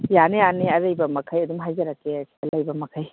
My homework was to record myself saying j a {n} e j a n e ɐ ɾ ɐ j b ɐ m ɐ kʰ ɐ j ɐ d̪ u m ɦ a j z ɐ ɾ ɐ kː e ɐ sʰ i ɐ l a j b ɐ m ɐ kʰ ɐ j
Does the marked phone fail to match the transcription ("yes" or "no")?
no